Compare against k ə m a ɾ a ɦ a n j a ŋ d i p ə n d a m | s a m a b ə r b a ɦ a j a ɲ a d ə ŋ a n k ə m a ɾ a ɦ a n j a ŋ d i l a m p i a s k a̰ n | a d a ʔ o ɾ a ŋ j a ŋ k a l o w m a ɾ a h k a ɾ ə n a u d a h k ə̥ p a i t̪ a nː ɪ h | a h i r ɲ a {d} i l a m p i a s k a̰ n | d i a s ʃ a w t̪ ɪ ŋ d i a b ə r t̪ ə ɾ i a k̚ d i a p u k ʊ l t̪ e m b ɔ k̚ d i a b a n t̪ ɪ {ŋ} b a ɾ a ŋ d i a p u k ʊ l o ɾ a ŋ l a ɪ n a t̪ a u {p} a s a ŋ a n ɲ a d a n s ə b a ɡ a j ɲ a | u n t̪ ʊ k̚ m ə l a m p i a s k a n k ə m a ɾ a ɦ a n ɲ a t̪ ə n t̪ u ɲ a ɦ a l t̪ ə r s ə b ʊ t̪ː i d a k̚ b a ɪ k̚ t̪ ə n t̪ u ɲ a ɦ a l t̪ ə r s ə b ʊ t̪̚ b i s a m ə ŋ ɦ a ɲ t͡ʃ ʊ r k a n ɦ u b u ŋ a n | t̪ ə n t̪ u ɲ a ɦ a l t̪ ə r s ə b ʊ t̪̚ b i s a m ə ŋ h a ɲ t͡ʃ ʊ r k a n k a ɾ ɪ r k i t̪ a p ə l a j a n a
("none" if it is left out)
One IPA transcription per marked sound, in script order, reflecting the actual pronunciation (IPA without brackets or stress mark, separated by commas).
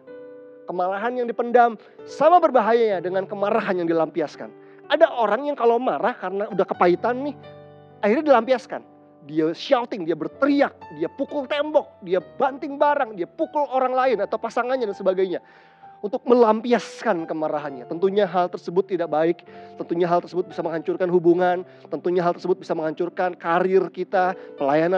d, ŋ, p